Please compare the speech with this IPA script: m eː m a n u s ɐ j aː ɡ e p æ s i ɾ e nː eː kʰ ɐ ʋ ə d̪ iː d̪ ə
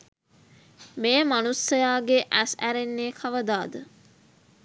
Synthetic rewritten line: m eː m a n u s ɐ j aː ɡ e ʔ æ s æ ɾ e nː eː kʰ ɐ ʋ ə d̪ aː d̪ ə

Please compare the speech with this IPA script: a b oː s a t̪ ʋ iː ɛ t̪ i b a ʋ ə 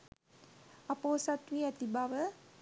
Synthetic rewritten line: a p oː s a t̪ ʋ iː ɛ t̪ i b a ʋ ə

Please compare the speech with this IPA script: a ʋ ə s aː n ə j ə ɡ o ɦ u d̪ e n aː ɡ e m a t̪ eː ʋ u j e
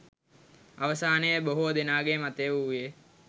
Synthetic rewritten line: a ʋ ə s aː n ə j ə b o ɦ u d̪ e n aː ɡ e m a t̪ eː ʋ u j e

